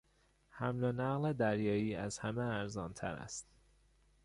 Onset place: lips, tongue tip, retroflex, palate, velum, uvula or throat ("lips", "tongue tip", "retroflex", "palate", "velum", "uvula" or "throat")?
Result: throat